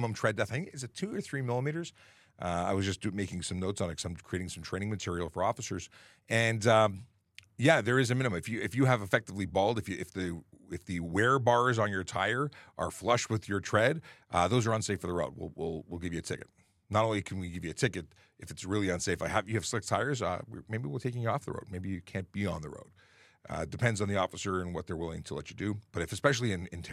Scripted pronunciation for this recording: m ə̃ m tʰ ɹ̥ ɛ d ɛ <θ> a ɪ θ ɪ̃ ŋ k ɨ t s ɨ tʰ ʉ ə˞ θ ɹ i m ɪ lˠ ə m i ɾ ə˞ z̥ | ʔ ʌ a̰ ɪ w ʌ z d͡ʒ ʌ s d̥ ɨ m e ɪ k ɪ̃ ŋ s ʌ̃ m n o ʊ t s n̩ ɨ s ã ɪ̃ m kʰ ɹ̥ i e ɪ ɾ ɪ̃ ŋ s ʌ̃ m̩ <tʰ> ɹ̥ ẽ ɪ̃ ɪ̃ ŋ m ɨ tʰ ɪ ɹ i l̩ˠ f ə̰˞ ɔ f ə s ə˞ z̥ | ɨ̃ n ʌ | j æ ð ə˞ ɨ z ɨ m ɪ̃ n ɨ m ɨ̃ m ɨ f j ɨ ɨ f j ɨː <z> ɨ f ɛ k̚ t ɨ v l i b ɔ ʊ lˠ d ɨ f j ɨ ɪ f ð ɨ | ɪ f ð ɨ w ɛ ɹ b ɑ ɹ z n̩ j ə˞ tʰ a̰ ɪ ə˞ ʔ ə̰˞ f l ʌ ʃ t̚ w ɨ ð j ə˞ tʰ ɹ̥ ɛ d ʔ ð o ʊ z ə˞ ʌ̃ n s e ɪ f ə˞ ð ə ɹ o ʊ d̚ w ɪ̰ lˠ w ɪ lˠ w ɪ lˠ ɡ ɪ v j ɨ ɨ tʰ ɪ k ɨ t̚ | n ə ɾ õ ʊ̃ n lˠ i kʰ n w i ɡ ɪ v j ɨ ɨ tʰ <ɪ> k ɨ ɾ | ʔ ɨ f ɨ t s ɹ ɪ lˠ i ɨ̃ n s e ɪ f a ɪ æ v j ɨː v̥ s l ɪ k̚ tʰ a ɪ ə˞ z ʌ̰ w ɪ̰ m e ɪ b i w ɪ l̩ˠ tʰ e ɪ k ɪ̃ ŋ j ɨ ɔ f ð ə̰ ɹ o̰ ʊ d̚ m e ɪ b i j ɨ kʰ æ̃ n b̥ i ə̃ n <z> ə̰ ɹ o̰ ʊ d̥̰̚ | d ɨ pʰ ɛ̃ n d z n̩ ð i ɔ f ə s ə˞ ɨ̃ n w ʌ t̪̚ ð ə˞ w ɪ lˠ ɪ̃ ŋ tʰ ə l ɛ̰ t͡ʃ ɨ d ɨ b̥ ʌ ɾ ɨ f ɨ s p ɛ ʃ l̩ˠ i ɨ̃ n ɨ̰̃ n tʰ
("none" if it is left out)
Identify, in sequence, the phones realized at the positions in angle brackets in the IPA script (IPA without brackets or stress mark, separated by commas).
θ, tʰ, v, ɪ, ð